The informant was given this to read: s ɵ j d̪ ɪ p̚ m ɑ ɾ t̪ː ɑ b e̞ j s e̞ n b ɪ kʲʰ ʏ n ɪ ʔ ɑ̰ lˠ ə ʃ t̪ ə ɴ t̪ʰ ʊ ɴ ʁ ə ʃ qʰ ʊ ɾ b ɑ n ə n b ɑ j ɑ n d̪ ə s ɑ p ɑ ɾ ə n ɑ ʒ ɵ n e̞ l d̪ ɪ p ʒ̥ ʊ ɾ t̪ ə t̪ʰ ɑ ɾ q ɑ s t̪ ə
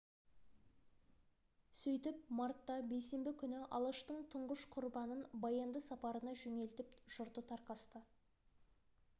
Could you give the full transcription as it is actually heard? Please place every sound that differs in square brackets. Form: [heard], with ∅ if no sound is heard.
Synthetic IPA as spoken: s ɵ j [t̪] ɪ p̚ m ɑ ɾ t̪ː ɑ b e̞ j s e̞ [m] b ɪ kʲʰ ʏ n ɪ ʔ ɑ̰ lˠ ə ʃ t̪ ə ɴ t̪ʰ ʊ ɴ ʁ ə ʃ qʰ ʊ ɾ b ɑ n ə n b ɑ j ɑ n d̪ ə s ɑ p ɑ ɾ ə n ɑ ʒ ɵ [ŋ] e̞ l [t̪] ɪ p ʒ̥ ʊ ɾ t̪ ə t̪ʰ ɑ ɾ q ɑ s t̪ ə

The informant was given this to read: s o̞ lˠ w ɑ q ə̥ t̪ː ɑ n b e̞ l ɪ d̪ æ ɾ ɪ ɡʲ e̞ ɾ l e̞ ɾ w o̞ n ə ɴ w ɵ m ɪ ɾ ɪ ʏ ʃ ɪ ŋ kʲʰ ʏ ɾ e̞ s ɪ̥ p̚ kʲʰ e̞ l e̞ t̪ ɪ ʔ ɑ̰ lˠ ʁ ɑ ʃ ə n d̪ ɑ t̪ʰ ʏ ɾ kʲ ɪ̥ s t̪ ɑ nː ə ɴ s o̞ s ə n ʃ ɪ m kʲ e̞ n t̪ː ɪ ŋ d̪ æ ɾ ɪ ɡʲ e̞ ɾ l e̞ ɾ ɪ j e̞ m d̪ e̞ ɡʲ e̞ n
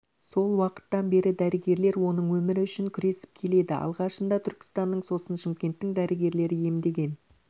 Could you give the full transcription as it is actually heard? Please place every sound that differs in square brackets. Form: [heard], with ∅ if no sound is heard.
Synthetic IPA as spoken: s o̞ lˠ w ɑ q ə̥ t̪ː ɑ n b e̞ [ɾ] ɪ d̪ æ ɾ ɪ ɡʲ e̞ ɾ l e̞ ɾ w o̞ n ə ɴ w ɵ m ɪ ɾ ɪ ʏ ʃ ɪ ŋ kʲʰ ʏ ɾ e̞ s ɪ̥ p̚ kʲʰ e̞ l e̞ [d̪] ɪ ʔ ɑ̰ lˠ ʁ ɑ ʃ ə n d̪ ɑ t̪ʰ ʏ ɾ kʲ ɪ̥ s t̪ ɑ nː ə ɴ s o̞ s ə n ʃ ɪ m kʲ e̞ n t̪ː ɪ ŋ d̪ æ ɾ ɪ ɡʲ e̞ ɾ l e̞ ɾ ɪ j e̞ m d̪ e̞ ɡʲ e̞ n

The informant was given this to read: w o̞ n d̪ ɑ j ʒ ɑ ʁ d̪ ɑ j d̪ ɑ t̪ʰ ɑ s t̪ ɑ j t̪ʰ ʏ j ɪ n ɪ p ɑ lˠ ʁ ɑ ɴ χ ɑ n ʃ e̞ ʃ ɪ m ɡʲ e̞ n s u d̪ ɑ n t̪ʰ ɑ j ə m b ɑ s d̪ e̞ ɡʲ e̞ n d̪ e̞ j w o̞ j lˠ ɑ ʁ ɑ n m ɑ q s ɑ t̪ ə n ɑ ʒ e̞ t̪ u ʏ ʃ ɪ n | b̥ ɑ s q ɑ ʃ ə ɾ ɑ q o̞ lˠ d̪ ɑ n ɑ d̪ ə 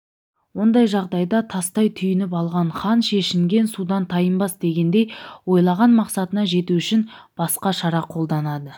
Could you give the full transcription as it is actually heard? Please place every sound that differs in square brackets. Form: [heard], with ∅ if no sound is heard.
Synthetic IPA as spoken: w o̞ n d̪ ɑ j ʒ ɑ ʁ d̪ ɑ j d̪ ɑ t̪ʰ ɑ s t̪ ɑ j t̪ʰ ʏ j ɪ n ɪ p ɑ lˠ ʁ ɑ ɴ χ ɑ n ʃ e̞ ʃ ɪ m ɡʲ e̞ n s u d̪ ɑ n t̪ʰ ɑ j ə m b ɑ s d̪ e̞ ɡʲ e̞ n d̪ e̞ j w o̞ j lˠ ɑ ʁ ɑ n m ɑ q s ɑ t̪ ə n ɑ ʒ e̞ t̪ u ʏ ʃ ɪ n | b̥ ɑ s q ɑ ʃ [ɑ] ɾ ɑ [qʰ] o̞ lˠ d̪ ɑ n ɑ d̪ ə

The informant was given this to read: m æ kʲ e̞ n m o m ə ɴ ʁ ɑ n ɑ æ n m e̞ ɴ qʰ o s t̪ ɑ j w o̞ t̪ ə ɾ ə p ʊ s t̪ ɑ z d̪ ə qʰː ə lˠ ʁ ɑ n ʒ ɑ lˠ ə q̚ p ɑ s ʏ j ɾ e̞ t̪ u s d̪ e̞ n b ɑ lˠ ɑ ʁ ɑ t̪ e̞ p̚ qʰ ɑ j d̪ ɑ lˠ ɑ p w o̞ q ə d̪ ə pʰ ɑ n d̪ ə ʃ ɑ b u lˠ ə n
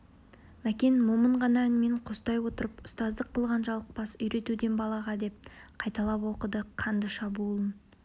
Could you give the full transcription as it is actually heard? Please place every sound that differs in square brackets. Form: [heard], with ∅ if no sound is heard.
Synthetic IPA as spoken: m æ kʲ e̞ n m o m ə ɴ ʁ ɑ n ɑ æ n m e̞ ɴ qʰ o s t̪ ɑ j w o̞ t̪ ə ɾ ə p ʊ s t̪ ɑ z d̪ ə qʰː ə lˠ ʁ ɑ n ʒ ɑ lˠ ə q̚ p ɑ s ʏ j ɾ e̞ t̪ u [∅] d̪ e̞ n b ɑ lˠ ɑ ʁ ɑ [d̪] e̞ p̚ qʰ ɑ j [t̪] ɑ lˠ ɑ p w o̞ q ə d̪ ə [qʰ] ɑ n d̪ ə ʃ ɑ b u lˠ ə n

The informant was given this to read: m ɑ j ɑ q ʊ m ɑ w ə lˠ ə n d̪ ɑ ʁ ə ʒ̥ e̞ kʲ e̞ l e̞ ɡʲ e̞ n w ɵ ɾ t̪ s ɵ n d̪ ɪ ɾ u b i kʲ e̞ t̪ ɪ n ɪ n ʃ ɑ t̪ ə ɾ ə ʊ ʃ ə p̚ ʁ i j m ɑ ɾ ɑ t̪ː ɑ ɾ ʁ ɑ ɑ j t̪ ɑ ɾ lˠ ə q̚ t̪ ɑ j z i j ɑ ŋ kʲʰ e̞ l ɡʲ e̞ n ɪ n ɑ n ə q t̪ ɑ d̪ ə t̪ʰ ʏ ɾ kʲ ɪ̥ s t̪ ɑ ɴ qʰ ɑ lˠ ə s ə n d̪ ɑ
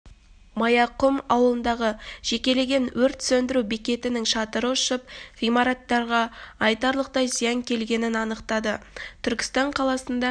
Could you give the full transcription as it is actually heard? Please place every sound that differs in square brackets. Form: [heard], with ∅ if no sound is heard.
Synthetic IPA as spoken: m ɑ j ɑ q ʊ m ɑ w ə lˠ ə n d̪ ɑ ʁ ə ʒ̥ e̞ kʲ e̞ l e̞ ɡʲ e̞ n w ɵ ɾ t̪ s ɵ n d̪ ɪ ɾ u b i kʲ e̞ t̪ ɪ n ɪ [ŋ] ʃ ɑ t̪ ə ɾ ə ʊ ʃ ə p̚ ʁ i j m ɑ ɾ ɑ t̪ː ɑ ɾ ʁ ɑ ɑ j t̪ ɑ ɾ lˠ ə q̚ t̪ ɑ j z i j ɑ ŋ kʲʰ e̞ l ɡʲ e̞ n ɪ n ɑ n ə q t̪ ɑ d̪ ə t̪ʰ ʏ ɾ kʲ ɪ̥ s t̪ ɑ ɴ qʰ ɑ lˠ [ɑ] s ə n d̪ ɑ

